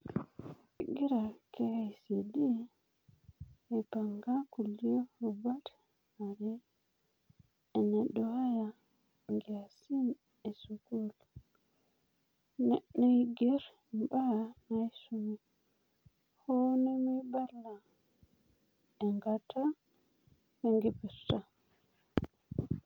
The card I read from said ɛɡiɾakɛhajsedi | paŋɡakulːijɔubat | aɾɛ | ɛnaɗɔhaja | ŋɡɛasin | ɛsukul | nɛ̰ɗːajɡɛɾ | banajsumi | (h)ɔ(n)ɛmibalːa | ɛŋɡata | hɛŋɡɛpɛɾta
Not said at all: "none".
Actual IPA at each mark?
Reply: h, n

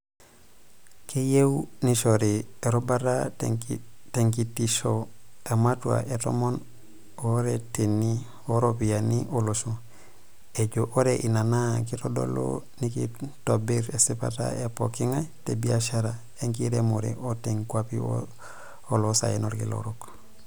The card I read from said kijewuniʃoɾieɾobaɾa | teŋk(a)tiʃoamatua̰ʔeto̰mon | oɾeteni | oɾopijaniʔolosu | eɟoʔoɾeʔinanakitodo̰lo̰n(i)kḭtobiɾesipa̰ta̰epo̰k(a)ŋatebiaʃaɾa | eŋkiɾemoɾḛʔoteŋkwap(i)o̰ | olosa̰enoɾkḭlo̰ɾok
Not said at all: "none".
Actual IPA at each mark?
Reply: i, i, i, i

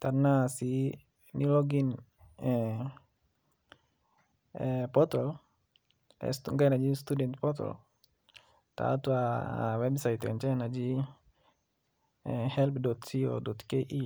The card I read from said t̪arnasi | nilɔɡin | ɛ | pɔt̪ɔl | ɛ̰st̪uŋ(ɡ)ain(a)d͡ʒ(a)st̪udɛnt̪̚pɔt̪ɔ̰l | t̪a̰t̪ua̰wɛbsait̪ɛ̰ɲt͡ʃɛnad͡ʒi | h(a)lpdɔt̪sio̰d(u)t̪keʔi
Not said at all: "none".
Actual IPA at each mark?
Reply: ɡ, a, i, ɛ, ɔ

